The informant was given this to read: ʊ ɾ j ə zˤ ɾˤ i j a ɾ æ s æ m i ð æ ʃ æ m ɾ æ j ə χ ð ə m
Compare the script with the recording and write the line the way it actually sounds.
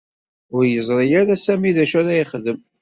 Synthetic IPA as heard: ʊ ɾ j ə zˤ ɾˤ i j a ɾ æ s æ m i ð æ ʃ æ ɾ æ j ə χ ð ə m

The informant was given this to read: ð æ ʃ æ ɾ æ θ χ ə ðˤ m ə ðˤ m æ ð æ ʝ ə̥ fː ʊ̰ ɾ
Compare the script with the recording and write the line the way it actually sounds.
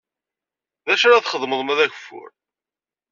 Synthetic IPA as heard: ð æ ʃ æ ɾ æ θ χ ə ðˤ m ə ðˤ m æ ð æ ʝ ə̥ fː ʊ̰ ɾ

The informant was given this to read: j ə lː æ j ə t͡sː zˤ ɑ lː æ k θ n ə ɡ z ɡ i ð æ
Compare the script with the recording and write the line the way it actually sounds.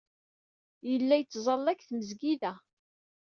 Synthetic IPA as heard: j ə lː æ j ə t͡sː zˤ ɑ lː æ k θ m ə z ɡ i ð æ

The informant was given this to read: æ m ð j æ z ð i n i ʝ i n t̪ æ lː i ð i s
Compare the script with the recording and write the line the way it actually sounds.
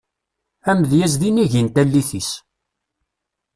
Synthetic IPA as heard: æ m ð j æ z ð i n i ʝ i n t̪ æ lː i θ i s

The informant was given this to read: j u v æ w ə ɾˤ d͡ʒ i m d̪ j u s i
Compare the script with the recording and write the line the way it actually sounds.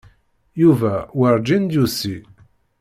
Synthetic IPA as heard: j u v æ w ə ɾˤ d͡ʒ i n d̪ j u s i

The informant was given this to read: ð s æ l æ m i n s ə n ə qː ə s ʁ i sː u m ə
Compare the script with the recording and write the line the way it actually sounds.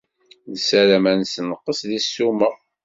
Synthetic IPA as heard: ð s æ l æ m æ n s ə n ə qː ə s ð i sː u m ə

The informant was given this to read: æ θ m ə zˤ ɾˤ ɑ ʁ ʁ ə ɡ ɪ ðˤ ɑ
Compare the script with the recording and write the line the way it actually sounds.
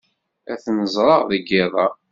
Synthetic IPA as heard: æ θ n ə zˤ ɾˤ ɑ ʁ ð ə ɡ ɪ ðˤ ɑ

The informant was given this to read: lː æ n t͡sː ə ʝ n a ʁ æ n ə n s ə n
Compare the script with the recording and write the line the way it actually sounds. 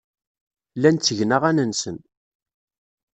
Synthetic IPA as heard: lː æ n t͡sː ə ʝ n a ʁ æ n ə n s ə n

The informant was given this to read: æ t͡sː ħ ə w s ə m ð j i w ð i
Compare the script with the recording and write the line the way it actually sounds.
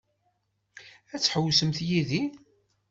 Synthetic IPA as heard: æ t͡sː ħ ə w s ə m θ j i ð i

